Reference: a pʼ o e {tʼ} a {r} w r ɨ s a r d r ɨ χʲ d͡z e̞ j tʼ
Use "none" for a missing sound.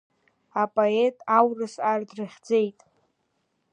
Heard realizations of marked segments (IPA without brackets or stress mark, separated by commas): tʼ, none